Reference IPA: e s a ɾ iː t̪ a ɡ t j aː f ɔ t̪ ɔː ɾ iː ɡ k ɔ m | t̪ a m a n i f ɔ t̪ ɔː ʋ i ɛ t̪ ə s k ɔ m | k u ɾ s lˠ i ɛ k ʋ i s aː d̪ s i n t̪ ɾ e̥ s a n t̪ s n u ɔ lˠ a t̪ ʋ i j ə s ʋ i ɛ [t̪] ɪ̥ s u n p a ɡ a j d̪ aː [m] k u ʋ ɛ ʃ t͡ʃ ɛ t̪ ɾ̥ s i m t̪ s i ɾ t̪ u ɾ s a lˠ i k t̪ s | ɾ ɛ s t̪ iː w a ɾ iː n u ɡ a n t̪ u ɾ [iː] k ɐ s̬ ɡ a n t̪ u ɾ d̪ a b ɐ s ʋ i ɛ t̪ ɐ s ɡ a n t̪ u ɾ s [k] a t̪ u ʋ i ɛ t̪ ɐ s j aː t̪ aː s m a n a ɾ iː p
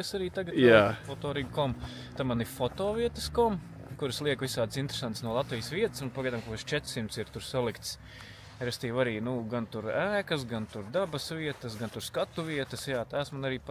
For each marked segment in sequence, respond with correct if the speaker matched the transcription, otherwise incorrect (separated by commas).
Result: correct, correct, incorrect, correct